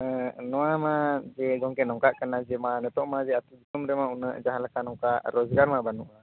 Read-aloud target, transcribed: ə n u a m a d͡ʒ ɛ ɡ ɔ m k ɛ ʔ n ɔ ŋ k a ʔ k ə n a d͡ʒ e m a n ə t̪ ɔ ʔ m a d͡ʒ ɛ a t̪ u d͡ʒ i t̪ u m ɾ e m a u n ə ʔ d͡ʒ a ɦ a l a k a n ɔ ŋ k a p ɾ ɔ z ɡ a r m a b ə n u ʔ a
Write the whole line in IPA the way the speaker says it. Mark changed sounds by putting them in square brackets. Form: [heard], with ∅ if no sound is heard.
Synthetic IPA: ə n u a m a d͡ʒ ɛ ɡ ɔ [ŋ] k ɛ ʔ n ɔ ŋ k a ʔ k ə n a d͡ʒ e m a n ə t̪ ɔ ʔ m a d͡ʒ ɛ a t̪ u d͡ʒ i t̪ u m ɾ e m a u n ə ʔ d͡ʒ a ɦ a l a k a n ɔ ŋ k a [ʔ] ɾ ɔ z ɡ a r m a b [a] n u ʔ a